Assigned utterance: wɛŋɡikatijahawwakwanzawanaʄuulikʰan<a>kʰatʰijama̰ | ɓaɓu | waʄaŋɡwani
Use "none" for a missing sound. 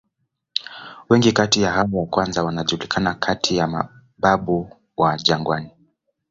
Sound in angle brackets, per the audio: a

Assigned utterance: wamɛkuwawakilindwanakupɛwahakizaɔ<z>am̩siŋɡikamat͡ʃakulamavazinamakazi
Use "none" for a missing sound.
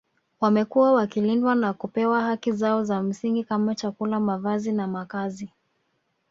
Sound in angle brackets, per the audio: z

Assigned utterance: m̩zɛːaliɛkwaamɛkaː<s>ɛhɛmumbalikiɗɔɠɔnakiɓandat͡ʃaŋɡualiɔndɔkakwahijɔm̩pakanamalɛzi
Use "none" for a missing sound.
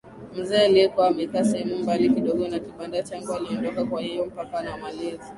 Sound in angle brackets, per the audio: s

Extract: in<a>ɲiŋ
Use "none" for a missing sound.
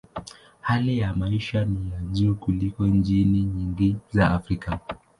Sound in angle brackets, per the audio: i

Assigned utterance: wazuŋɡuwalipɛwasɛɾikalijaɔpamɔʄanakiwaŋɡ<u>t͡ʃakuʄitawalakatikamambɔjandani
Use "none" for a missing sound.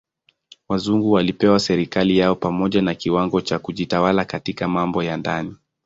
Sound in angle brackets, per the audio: ɔ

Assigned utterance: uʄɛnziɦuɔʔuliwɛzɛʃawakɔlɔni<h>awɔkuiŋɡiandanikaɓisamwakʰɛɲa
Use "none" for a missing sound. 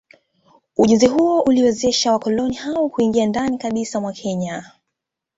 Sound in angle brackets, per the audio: h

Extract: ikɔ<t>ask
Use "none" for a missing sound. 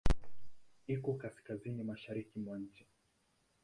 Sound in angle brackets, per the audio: k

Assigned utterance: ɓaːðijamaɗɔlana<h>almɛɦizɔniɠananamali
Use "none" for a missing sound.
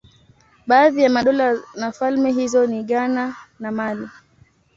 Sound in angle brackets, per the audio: f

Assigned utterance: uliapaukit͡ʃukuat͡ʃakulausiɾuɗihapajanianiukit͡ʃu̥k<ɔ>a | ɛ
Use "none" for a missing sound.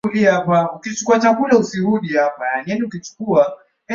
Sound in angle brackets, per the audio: u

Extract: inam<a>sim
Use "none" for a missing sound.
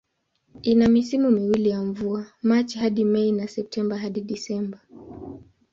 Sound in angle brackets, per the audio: i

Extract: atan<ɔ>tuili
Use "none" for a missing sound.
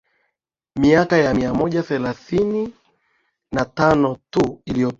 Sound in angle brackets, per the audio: ɔ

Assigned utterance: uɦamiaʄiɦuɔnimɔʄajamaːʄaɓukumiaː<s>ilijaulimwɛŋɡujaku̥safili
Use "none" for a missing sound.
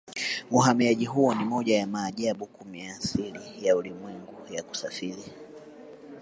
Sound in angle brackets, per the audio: s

